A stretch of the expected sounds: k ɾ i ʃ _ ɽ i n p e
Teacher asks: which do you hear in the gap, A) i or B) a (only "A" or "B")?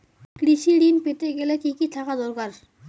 A